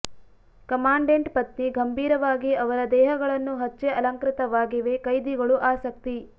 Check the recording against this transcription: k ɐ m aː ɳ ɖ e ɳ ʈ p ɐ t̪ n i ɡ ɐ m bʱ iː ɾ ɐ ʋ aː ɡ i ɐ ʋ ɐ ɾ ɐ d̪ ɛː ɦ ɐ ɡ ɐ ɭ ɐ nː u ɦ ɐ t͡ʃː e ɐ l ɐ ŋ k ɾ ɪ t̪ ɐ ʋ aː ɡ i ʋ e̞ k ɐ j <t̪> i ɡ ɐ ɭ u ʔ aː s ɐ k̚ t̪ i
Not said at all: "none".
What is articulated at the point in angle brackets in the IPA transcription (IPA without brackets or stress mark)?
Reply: d̪